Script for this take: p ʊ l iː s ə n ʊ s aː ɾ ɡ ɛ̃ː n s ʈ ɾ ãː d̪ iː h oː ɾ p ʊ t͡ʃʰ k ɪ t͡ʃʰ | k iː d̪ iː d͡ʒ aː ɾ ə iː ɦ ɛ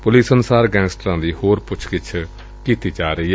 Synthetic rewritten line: p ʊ l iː s ə n ʊ s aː ɾ ɡ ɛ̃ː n s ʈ ɾ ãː d̪ iː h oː ɾ p ʊ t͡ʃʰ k ɪ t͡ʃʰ | k iː t̪ iː d͡ʒ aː ɾ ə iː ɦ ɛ